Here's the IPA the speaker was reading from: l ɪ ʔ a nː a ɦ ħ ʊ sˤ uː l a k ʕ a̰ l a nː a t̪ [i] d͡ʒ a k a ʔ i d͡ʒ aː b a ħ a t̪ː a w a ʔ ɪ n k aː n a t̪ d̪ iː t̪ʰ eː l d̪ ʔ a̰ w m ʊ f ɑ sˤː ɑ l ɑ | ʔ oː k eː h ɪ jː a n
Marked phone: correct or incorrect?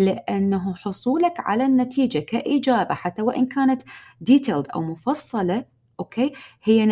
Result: incorrect